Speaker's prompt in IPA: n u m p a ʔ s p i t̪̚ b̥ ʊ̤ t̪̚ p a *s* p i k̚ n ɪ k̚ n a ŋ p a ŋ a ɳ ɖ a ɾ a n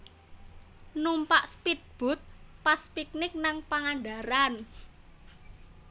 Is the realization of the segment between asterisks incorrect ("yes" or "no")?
no